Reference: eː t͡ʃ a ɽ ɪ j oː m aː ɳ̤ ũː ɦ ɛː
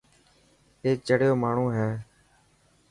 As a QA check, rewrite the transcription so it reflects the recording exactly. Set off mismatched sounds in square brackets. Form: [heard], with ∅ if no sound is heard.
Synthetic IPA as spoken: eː t͡ʃ [ə] ɽ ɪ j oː m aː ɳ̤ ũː ɦ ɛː